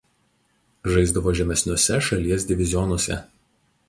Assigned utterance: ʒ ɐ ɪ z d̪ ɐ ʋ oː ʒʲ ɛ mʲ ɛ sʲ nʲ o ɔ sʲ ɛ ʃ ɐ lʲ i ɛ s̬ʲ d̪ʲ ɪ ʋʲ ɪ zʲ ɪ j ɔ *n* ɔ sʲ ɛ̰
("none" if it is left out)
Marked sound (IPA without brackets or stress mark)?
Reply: n